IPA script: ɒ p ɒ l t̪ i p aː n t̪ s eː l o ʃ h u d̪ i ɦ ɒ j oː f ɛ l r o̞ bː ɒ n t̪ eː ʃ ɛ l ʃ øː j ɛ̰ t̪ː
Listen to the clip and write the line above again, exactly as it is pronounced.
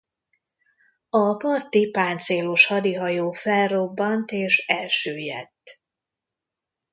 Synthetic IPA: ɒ p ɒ r t̪ i p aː n t̪ s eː l o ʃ h ɒ d̪ i ɦ ɒ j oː f ɛ l r o̞ bː ɒ n t̪ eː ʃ ɛ l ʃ øː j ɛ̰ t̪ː